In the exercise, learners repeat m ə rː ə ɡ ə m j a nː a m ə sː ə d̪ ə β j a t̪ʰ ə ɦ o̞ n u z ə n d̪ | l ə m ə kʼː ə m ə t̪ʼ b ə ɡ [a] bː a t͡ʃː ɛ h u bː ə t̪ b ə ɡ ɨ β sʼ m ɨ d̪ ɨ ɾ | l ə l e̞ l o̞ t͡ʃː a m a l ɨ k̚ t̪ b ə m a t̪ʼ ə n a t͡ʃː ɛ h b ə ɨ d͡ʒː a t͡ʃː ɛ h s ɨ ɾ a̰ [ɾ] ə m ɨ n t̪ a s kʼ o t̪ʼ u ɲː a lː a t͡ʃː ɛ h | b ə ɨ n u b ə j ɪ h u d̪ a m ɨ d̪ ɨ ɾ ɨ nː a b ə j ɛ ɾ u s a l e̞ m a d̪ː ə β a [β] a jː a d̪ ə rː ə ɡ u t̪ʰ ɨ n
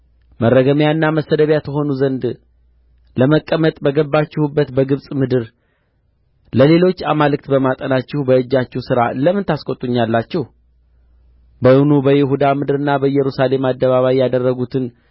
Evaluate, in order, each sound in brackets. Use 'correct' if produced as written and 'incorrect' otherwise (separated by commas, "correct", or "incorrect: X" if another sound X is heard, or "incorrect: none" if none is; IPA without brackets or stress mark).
incorrect: ə, incorrect: l, correct